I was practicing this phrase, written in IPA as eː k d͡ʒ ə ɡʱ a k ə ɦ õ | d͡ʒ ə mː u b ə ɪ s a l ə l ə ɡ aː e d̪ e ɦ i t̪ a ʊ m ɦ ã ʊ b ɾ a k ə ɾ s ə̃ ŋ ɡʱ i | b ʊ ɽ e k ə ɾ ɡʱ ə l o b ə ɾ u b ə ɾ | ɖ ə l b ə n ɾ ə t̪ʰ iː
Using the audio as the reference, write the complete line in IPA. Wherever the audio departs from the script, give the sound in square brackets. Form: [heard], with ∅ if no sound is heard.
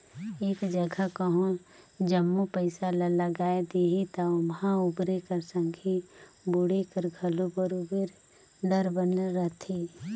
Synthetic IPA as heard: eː k d͡ʒ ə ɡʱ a k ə ɦ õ | d͡ʒ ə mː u [p] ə ɪ s a l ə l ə ɡ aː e d̪ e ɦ i t̪ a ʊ m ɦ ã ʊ b ɾ [e] k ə ɾ s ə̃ ŋ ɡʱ i | b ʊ ɽ e k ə ɾ ɡʱ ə l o b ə ɾ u b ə ɾ | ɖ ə [ɾ] b ə n ɾ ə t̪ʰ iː